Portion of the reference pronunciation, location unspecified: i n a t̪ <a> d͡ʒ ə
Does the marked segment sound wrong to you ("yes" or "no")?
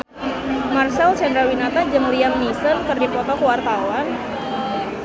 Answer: no